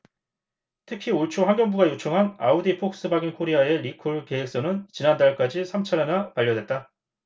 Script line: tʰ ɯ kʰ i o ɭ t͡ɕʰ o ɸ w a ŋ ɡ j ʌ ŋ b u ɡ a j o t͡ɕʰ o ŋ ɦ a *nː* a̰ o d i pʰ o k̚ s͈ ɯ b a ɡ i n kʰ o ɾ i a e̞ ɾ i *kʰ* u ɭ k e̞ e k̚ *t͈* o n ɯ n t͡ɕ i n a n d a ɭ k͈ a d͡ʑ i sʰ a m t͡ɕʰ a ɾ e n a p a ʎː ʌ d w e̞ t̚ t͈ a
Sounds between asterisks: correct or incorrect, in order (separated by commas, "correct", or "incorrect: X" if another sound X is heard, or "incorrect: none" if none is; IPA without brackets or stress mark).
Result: incorrect: n, correct, incorrect: s͈